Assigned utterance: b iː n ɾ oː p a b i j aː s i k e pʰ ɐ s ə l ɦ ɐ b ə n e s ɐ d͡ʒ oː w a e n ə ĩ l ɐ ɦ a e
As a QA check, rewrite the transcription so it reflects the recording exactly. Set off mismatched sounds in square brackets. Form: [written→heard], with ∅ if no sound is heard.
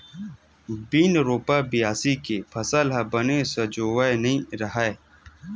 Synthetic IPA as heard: b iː n ɾ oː p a b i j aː s i k e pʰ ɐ s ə l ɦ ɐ b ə n e s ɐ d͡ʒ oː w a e n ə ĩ [l→ɾ] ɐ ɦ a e